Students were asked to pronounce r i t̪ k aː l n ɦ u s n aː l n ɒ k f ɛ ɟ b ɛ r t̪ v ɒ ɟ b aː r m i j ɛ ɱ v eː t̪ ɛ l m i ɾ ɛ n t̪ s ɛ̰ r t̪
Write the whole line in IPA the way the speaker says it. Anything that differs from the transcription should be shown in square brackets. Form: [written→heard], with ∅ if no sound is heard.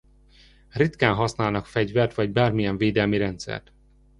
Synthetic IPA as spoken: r i t̪ k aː [l→∅] n ɦ [u→ɒ] s n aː l n ɒ k f ɛ ɟ [b→v] ɛ r t̪ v ɒ ɟ b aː r m i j ɛ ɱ v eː [t̪→d̪] ɛ l m i ɾ ɛ n t̪ s ɛ̰ r t̪